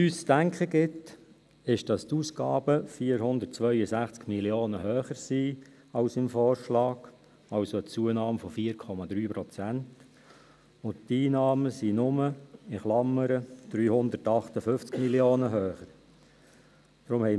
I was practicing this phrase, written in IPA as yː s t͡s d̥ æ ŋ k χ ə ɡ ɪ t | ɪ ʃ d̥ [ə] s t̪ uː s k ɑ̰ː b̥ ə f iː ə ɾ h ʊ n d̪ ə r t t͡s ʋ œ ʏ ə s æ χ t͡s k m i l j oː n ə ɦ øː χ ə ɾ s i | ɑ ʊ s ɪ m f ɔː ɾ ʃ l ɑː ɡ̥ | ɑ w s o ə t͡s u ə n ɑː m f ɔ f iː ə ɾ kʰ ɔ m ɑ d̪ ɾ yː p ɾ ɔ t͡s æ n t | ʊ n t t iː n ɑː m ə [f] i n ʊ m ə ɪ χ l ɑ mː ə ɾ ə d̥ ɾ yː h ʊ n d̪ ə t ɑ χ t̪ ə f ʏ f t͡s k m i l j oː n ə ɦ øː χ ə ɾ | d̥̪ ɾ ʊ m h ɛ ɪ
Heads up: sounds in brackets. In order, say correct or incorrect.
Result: incorrect: ɑ, incorrect: s

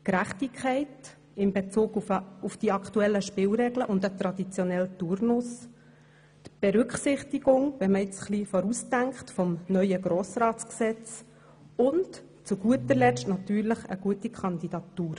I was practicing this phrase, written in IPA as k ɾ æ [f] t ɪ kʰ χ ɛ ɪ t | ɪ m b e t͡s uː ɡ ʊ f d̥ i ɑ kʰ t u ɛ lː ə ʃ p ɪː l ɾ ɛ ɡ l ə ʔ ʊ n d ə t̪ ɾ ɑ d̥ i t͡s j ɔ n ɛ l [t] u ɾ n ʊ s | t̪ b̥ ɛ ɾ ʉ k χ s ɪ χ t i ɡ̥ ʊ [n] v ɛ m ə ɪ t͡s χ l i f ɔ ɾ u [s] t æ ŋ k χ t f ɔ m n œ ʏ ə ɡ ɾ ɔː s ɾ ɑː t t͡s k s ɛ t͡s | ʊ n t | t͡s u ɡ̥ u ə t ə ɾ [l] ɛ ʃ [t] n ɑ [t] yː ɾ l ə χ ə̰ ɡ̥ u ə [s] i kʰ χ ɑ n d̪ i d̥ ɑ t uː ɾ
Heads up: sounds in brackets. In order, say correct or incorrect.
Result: incorrect: χ, correct, incorrect: ŋ, correct, correct, correct, correct, incorrect: t

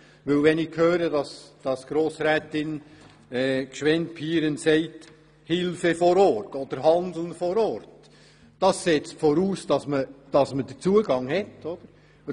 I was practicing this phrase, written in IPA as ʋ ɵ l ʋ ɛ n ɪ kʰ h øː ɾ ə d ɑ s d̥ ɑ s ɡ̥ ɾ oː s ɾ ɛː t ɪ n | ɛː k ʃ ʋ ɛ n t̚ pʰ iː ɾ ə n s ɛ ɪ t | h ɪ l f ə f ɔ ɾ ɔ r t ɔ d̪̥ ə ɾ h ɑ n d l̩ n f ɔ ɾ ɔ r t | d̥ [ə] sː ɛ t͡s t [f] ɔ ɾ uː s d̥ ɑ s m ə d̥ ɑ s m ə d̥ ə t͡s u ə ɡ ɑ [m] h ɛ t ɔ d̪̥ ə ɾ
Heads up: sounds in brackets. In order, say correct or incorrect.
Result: incorrect: ɑ, correct, incorrect: ŋ

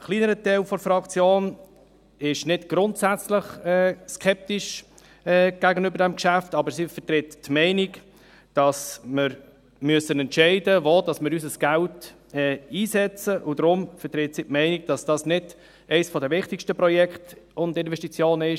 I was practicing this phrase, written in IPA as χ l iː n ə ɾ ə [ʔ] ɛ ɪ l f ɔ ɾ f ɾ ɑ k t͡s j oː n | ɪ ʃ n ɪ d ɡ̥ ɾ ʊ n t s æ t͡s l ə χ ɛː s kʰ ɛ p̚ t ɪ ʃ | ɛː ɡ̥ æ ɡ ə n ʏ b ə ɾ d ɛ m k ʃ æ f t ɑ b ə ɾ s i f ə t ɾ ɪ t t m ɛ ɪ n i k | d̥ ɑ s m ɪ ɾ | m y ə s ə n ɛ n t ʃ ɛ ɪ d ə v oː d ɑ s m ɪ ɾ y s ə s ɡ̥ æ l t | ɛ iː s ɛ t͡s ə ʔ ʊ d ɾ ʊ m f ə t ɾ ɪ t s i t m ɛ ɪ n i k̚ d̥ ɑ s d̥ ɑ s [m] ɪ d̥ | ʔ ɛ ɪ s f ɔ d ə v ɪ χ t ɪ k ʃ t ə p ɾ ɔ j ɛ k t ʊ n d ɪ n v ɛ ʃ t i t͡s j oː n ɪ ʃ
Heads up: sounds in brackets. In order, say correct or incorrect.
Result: incorrect: t, incorrect: n

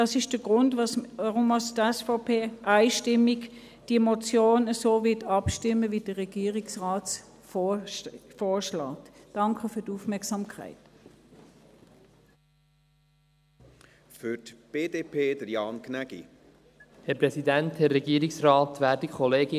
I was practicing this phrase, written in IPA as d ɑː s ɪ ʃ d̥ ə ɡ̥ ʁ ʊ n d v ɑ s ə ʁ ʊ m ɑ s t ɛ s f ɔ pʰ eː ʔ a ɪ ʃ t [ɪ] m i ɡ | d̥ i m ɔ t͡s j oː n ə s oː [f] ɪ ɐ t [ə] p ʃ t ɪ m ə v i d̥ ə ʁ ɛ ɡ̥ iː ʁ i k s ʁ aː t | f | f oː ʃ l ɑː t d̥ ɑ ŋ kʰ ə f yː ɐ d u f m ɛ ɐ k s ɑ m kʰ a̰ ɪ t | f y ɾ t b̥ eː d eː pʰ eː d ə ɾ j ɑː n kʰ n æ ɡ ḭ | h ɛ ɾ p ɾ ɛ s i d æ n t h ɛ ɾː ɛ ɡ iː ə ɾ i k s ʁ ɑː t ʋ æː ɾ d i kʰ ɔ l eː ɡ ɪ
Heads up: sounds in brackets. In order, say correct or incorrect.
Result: correct, incorrect: v, incorrect: ɑ

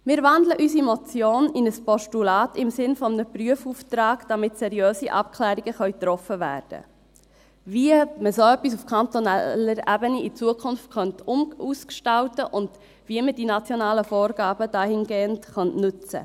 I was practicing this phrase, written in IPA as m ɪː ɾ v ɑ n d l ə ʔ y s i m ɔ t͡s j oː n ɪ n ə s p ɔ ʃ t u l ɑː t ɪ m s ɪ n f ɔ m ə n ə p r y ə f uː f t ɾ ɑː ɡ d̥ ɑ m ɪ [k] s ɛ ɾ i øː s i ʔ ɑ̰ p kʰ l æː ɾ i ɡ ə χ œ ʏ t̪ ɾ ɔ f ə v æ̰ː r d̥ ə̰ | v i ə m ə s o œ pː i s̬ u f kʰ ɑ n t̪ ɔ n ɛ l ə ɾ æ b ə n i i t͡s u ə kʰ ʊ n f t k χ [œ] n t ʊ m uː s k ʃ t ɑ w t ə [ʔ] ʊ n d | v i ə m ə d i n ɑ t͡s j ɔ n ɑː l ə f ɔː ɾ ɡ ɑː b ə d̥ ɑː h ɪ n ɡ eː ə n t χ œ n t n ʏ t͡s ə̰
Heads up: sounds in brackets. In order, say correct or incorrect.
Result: incorrect: t, correct, correct

